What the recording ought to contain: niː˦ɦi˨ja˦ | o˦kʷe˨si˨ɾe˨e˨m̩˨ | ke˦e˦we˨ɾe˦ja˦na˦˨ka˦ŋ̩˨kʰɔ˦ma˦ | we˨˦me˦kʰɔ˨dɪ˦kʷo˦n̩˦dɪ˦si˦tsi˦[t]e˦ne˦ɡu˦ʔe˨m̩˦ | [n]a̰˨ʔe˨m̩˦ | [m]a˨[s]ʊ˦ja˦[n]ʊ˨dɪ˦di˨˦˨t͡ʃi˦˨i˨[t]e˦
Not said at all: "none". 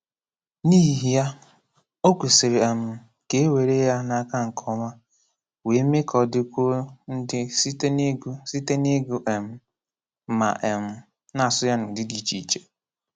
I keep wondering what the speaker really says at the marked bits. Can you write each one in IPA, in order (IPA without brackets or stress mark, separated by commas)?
t, m, n, s, n, t͡ʃ